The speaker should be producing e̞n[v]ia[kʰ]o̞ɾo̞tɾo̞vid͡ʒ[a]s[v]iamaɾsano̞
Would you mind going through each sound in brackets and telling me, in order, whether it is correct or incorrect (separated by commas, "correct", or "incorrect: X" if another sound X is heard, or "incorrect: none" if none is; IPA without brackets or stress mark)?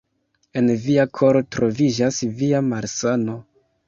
correct, correct, correct, correct